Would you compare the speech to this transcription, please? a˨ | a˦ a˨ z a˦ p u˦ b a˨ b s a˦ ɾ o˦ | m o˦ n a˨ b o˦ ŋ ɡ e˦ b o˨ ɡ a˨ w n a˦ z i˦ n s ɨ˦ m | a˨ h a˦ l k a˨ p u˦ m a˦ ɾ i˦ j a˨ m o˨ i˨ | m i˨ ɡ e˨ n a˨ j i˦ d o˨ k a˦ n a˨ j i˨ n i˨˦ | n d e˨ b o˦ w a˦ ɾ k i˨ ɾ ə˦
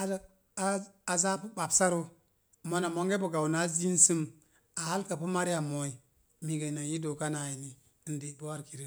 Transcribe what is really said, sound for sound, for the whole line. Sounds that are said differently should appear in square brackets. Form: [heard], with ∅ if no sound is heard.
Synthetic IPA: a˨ | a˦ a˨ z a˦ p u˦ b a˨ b s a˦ ɾ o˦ | m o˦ n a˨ [m] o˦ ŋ ɡ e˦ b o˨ ɡ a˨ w n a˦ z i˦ n s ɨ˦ m | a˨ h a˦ l k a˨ p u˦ m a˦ ɾ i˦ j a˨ m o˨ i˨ | m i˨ ɡ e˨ n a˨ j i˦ d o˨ k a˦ n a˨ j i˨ n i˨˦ | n d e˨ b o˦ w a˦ ɾ k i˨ ɾ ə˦